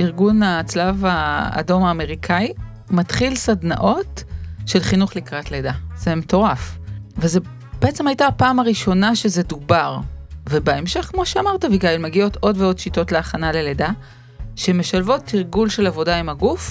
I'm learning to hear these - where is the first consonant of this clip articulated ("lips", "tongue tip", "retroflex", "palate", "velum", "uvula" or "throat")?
uvula